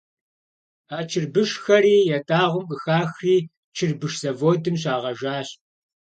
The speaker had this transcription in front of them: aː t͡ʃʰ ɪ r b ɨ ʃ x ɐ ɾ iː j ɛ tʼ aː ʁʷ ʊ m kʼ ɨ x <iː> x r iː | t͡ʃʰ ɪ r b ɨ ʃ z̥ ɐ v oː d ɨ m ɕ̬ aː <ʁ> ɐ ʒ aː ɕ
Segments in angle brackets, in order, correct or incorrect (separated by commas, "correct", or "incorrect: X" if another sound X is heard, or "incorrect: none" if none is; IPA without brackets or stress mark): incorrect: aː, correct